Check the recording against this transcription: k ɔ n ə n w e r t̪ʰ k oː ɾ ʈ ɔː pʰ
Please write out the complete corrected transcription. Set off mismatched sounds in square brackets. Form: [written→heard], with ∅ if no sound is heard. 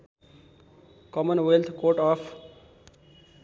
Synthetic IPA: k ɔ [n→m] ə n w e [r→l] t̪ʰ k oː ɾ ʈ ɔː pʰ